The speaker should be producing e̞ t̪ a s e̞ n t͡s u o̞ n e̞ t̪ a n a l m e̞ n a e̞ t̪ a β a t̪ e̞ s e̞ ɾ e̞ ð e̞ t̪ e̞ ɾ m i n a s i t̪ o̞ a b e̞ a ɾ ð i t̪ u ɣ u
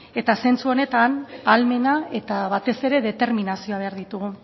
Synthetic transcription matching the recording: e̞ t̪ a s e̞ n t͡s u o̞ n e̞ t̪ a n a l m e̞ n a e̞ t̪ a β a t̪ e̞ s e̞ ɾ e̞ ð e̞ t̪ e̞ ɾ m i n a s i o̞ a β e̞ a ɾ ð i t̪ u ɣ u